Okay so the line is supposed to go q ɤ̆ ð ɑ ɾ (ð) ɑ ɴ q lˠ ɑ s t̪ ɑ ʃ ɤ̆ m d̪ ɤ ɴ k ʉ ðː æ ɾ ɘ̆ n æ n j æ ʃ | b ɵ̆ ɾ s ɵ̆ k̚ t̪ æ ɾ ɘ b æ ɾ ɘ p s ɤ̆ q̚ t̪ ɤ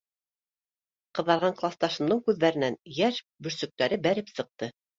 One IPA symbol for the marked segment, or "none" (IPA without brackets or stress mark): ʁ